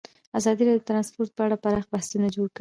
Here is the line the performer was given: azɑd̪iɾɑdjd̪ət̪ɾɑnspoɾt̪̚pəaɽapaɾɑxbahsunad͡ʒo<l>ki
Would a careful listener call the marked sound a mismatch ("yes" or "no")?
yes